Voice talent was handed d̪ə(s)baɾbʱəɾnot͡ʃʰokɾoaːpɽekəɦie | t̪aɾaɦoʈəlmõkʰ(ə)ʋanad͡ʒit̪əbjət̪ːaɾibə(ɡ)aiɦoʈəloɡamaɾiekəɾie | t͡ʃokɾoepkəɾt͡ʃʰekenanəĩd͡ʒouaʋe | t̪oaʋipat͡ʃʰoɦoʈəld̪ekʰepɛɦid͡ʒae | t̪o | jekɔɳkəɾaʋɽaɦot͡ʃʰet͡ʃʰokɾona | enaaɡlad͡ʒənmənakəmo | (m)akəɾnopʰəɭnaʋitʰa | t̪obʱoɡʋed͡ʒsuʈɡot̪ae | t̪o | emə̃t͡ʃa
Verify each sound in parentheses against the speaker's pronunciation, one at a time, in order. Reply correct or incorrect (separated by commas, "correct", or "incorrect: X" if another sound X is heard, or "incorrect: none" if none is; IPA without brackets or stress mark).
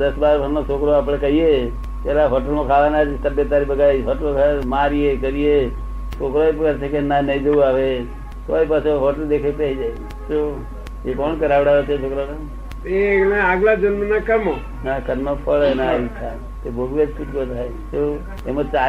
correct, incorrect: a, correct, incorrect: n